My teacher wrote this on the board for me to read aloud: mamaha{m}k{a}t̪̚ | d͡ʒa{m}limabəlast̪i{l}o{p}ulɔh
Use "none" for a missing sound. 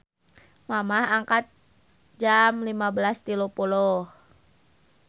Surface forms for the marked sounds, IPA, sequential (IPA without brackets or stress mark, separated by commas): ŋ, a, m, l, p